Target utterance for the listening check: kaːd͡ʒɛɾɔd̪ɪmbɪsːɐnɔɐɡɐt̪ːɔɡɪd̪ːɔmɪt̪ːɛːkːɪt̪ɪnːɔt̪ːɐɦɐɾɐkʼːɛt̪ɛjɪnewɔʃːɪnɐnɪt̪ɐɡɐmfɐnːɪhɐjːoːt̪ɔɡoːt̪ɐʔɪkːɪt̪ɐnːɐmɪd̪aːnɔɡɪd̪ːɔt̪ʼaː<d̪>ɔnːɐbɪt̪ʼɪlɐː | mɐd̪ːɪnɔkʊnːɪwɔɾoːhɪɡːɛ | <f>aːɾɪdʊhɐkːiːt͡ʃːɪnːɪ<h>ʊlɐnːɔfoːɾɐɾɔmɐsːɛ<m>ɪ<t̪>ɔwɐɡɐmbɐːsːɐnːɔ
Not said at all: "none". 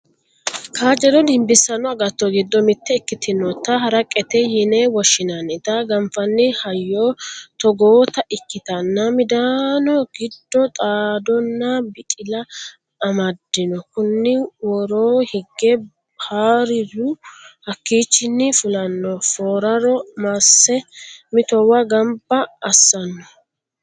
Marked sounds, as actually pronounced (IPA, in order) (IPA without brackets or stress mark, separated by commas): d̪, h, f, m, t̪